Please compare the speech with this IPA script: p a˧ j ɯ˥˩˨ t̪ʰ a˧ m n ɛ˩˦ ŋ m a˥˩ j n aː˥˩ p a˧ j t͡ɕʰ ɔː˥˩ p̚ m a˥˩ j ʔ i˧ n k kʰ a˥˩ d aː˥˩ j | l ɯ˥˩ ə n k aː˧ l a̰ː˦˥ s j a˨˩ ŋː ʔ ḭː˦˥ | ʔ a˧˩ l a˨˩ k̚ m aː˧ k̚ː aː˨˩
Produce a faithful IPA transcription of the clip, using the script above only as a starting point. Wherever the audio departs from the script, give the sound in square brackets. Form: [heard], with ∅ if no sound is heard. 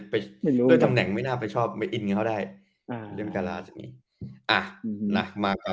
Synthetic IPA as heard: p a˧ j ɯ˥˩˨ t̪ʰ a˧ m n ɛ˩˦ ŋ m a˥˩ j n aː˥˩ p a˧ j t͡ɕʰ ɔː˥˩ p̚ m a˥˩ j ʔ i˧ n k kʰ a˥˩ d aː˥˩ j | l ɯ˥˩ ə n k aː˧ l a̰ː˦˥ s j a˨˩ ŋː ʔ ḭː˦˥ | ʔ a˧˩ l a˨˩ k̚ m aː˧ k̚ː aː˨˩